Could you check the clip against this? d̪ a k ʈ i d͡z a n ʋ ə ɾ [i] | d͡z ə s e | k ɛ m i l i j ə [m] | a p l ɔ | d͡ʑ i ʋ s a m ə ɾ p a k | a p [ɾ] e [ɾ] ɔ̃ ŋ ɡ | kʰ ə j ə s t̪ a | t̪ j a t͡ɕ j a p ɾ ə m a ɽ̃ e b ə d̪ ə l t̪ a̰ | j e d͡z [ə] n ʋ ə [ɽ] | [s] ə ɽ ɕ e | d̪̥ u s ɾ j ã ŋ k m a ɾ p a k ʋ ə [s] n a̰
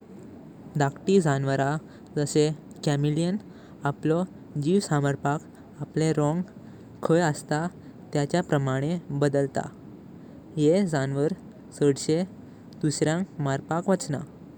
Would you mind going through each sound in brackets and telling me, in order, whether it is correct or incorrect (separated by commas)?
incorrect, incorrect, incorrect, correct, incorrect, incorrect, correct, incorrect